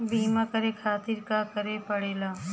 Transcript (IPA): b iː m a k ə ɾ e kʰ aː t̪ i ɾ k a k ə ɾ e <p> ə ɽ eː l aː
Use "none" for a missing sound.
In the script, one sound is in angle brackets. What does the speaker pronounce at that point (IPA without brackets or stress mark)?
p